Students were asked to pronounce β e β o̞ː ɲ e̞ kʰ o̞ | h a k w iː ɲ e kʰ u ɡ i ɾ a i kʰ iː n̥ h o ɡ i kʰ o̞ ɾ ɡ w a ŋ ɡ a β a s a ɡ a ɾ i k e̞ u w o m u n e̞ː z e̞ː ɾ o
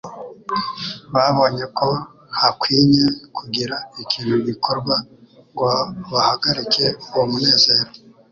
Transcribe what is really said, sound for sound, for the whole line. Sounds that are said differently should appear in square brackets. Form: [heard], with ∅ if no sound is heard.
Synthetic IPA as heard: β [a] β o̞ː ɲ e̞ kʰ o̞ | h a k w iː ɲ e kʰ u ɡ i ɾ a i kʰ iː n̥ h [u] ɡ i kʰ o̞ ɾ ɡ w a ŋ ɡ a β a [h] a ɡ a ɾ i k e̞ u w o m u n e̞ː z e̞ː ɾ o